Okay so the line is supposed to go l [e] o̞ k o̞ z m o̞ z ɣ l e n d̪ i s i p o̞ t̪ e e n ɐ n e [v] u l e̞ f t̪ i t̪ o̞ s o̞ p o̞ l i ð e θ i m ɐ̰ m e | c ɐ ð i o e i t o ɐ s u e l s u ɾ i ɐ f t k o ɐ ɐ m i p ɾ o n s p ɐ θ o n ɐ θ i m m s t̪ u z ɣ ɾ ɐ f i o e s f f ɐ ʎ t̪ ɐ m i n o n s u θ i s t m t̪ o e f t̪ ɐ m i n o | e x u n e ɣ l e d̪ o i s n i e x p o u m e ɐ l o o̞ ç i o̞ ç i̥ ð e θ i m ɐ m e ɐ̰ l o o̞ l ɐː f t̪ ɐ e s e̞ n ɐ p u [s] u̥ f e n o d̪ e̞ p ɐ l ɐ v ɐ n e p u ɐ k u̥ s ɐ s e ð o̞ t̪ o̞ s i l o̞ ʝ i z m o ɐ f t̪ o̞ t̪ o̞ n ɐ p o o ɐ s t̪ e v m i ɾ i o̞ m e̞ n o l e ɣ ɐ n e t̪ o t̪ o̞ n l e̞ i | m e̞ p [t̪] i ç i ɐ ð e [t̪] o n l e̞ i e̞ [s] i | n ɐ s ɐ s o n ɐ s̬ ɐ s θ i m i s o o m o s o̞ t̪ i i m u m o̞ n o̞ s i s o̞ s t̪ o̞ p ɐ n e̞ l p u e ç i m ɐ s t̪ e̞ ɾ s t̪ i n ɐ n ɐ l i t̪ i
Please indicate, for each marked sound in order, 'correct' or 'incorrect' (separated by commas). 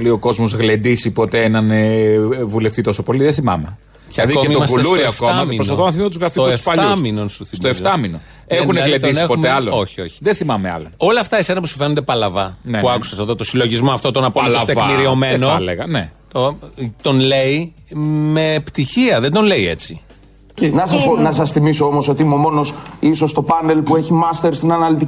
incorrect, correct, correct, correct, incorrect, incorrect